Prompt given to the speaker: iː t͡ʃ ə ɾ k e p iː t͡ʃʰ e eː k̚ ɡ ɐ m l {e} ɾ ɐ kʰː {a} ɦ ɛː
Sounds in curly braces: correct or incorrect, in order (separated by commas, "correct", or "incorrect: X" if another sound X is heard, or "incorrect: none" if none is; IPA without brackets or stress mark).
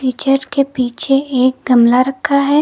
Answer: incorrect: a, correct